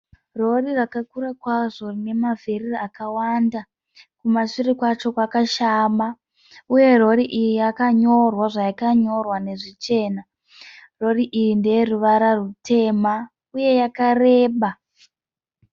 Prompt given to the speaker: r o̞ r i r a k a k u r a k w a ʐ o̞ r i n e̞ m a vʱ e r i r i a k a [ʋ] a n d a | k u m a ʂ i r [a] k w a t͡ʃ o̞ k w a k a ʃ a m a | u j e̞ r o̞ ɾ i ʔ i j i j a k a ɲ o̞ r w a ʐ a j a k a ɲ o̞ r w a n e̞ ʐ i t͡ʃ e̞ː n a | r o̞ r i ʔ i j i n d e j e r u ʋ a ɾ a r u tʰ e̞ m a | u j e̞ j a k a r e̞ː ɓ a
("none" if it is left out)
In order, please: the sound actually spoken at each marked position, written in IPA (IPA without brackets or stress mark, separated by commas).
w, i